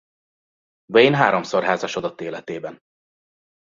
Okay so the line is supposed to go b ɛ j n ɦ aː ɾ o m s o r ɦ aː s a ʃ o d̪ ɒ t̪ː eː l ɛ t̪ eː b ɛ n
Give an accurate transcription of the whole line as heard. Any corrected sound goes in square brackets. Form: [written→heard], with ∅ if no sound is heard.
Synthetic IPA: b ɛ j n ɦ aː ɾ o m s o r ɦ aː [s→z] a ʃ o d̪ ɒ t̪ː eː l ɛ t̪ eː b ɛ n